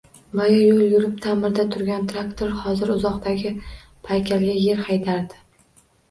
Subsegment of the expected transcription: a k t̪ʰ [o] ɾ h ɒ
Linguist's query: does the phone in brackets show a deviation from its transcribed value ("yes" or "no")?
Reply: no